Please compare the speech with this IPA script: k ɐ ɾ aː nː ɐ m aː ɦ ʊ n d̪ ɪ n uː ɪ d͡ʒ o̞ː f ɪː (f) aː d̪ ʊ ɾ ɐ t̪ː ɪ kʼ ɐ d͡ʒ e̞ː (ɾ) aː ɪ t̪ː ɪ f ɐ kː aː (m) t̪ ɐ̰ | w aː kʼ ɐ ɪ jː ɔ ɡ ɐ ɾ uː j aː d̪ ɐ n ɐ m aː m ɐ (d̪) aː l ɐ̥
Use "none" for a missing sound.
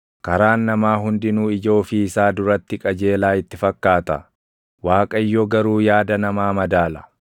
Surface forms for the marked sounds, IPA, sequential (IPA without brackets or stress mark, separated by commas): s, l, none, d̪